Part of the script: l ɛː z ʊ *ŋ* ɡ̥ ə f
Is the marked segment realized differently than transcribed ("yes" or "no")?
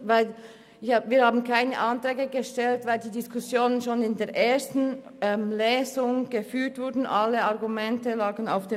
no